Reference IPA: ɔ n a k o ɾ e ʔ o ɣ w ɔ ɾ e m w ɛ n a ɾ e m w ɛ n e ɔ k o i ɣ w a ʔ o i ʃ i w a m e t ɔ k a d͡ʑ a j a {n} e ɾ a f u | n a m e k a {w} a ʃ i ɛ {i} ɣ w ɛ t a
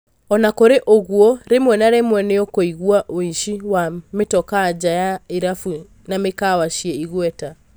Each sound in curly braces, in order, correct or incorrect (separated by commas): incorrect, correct, correct